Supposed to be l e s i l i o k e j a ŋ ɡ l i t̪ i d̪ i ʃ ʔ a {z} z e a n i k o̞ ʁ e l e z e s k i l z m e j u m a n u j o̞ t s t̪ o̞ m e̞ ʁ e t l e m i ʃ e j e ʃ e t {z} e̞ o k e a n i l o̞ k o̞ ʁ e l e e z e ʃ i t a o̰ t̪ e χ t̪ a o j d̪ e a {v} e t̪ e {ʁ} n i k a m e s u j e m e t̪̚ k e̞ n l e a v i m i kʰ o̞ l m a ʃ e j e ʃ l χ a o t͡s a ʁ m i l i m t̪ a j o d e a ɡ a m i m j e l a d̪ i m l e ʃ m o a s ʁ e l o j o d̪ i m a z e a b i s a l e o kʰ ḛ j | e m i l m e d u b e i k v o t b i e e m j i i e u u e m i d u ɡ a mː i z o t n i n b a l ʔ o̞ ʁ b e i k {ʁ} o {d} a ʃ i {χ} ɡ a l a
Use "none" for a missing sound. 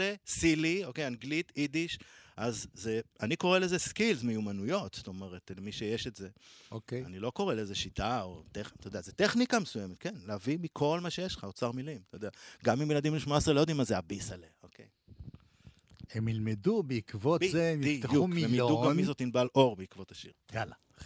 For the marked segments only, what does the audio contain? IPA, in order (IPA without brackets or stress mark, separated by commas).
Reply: z, z, z, χ, v, t, ʁ